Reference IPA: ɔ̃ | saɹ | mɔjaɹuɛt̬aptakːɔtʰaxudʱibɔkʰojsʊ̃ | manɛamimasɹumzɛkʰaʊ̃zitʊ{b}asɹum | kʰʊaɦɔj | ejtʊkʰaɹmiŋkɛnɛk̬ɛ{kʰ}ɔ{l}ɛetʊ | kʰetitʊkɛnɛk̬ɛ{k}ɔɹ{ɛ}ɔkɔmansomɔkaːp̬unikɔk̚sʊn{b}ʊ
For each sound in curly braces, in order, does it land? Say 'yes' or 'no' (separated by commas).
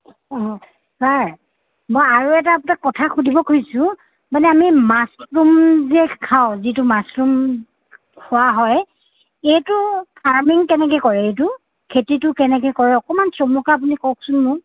no, no, no, yes, yes, no